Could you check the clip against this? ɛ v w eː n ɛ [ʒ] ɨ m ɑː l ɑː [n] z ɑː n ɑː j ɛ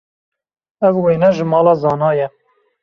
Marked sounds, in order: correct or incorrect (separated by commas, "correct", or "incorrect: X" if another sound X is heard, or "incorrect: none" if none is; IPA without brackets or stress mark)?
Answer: correct, incorrect: none